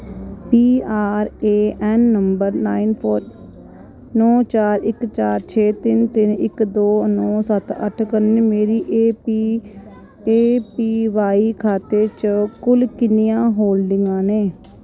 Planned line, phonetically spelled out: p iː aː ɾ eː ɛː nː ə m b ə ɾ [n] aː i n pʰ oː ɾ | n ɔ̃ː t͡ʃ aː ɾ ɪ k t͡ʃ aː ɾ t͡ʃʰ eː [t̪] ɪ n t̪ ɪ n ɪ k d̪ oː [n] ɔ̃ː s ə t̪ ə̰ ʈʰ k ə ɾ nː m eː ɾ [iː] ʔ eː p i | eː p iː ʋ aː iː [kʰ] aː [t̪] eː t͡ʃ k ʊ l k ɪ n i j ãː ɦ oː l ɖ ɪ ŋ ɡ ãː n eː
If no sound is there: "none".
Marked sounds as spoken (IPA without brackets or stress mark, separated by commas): n, t̪, n, iː, kʰ, t̪